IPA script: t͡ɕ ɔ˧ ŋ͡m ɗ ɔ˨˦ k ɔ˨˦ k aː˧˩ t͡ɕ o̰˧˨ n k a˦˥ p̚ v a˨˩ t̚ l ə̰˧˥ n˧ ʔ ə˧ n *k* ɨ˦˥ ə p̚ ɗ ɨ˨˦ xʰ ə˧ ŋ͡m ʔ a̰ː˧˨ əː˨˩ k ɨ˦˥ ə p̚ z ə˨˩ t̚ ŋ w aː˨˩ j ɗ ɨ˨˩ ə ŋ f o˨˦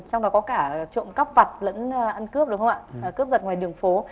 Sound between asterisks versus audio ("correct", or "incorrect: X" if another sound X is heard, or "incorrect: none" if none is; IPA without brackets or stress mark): correct